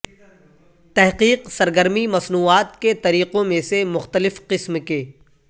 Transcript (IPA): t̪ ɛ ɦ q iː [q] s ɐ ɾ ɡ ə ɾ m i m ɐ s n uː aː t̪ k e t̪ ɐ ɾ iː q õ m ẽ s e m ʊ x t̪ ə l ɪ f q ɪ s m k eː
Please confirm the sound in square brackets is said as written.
yes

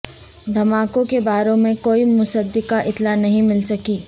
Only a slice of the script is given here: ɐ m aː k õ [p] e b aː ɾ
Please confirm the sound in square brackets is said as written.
no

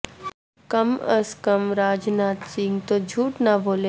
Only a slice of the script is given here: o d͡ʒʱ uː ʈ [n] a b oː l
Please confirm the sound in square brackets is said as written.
yes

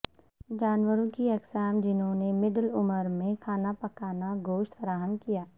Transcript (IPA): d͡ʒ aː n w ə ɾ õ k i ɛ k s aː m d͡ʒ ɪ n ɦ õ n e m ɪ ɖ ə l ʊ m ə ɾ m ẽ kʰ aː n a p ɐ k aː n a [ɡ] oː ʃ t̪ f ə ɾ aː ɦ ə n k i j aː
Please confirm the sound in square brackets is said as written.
yes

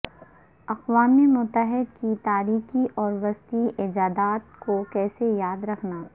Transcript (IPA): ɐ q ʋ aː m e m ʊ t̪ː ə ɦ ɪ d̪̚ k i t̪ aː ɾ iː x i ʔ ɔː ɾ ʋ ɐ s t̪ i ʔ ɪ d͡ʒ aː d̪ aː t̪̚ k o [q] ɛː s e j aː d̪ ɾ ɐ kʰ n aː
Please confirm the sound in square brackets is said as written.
no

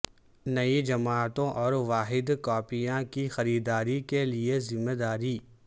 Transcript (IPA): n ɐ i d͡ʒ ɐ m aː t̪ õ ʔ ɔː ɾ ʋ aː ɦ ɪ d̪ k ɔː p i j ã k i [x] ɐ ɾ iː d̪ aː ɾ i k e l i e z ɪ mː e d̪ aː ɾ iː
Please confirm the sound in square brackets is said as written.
yes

